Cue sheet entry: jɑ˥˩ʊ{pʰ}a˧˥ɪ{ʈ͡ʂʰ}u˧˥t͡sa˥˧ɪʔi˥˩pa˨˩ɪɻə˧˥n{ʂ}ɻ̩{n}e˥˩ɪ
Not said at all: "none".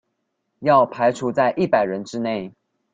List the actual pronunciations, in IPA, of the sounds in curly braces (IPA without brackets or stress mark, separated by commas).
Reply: pʰ, ʈ͡ʂʰ, ʈ͡ʂ, n